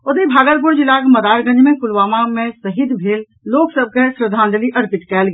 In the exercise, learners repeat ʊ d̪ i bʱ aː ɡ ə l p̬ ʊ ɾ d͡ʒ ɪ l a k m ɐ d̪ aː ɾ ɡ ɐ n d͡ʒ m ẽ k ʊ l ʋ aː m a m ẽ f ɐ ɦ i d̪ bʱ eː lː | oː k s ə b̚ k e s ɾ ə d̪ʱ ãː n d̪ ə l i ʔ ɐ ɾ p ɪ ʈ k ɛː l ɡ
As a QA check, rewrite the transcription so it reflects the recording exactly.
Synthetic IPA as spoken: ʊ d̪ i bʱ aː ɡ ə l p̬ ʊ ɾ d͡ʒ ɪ l a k m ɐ d̪ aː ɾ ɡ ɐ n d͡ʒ m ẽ k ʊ l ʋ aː m a m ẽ s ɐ ɦ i d̪ bʱ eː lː | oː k s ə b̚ k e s ɾ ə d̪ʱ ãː n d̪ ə l i ʔ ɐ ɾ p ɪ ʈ k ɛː l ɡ